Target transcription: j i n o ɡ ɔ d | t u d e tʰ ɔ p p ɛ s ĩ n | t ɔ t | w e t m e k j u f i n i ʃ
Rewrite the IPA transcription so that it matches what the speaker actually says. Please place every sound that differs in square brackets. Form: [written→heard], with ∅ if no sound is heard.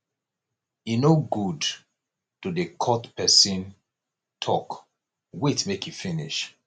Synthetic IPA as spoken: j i n o ɡ [ɔ→u] d | t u d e [tʰ→kʰ] ɔ [p→t] p ɛ s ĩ n | [t→tʰ] ɔ [t→k] | w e t m e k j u f i n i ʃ